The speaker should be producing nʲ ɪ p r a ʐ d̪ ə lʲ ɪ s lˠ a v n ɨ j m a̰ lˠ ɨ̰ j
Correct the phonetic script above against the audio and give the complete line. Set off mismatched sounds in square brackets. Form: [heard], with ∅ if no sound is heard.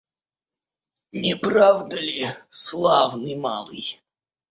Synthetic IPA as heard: nʲ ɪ p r a [v] d̪ ə lʲ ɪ s lˠ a v n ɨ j m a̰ lˠ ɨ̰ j